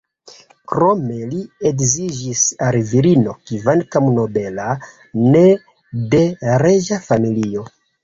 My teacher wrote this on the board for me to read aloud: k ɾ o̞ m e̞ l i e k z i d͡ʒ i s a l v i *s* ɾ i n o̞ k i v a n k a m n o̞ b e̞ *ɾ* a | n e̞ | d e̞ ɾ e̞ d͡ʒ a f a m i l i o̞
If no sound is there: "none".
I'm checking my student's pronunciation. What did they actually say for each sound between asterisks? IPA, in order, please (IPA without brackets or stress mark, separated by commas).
none, l